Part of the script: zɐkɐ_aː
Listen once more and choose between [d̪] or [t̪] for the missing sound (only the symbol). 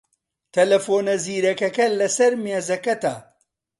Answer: t̪